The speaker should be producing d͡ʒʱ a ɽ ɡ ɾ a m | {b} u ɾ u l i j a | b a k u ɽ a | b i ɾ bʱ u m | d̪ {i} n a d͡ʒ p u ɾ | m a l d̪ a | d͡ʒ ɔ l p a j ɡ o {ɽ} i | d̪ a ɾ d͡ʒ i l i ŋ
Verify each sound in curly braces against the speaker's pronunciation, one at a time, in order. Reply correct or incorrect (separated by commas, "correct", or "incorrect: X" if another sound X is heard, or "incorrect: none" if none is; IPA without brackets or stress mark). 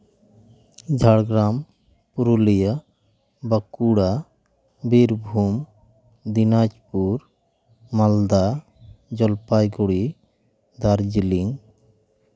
incorrect: p, correct, correct